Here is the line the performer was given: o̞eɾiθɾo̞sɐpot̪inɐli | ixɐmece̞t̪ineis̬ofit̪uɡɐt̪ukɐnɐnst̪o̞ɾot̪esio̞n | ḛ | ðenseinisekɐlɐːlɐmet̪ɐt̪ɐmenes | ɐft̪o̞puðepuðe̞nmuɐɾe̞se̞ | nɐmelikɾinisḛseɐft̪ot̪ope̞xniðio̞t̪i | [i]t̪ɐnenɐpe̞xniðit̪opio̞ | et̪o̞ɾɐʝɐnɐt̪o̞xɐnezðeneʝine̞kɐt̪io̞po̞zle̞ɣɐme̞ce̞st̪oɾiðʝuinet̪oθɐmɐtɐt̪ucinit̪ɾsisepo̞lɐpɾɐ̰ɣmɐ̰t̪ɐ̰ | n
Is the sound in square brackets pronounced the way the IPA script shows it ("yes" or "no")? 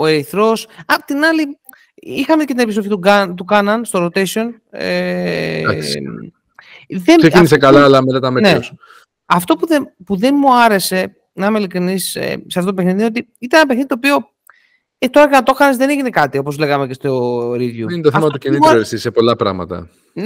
yes